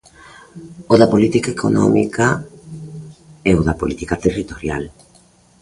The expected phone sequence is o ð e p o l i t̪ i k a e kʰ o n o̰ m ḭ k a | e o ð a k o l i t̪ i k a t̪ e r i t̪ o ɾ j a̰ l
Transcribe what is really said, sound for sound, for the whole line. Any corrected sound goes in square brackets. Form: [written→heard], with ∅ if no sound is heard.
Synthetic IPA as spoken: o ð [e→a] p o l i t̪ i k a e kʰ o n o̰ m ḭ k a | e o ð a [k→p] o l i t̪ i k a t̪ e r i t̪ o ɾ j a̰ l